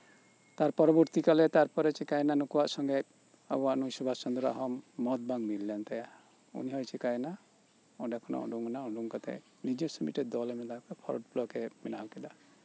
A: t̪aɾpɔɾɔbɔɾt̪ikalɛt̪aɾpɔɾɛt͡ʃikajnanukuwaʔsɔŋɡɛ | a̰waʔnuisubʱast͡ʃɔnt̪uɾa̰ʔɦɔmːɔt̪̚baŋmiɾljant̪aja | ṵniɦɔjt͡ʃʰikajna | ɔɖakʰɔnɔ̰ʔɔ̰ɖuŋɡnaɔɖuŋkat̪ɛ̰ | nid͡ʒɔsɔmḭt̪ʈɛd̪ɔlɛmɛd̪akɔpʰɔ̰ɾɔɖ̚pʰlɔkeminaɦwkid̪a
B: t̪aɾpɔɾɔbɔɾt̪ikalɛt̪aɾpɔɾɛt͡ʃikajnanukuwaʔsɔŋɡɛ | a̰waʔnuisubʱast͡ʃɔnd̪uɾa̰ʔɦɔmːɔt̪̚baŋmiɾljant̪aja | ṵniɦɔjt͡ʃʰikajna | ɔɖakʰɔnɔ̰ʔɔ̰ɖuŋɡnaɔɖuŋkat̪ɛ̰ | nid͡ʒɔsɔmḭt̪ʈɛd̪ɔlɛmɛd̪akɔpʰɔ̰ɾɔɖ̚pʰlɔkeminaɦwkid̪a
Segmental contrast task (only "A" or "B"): B